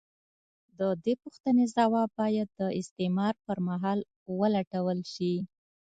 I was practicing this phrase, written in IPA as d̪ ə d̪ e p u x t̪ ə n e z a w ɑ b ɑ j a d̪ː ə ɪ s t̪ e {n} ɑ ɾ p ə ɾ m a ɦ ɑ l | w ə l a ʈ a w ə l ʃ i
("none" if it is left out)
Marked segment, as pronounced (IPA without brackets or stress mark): m